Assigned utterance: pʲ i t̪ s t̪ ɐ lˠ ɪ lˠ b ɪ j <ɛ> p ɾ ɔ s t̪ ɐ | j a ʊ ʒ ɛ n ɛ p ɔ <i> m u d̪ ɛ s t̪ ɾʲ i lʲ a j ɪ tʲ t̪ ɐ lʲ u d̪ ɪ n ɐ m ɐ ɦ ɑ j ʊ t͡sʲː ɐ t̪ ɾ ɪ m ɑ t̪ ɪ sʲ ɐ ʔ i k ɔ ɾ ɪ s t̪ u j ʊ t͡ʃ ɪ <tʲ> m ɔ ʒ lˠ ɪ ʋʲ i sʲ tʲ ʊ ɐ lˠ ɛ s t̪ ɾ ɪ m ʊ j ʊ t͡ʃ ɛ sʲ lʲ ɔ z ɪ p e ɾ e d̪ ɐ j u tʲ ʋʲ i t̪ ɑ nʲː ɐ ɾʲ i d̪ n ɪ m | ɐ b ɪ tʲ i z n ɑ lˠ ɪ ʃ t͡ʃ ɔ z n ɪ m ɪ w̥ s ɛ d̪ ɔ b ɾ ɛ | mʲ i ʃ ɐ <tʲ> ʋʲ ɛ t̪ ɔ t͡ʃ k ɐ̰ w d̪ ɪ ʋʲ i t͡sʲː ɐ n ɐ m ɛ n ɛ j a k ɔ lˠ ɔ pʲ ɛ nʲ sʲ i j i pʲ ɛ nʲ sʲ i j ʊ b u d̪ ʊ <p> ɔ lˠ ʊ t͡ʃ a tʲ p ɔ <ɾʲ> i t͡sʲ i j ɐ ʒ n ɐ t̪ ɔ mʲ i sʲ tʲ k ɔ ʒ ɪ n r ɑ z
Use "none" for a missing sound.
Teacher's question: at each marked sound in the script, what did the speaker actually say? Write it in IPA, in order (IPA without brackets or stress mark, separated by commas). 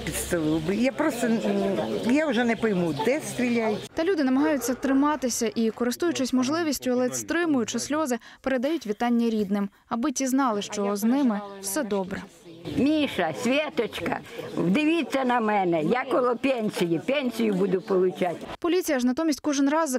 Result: a, j, sʲ, sʲ, p, lʲ